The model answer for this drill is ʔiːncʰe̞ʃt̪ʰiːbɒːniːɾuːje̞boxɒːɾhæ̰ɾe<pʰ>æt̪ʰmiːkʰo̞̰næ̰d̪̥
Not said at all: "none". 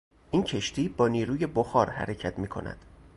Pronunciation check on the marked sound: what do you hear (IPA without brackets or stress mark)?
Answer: cʰ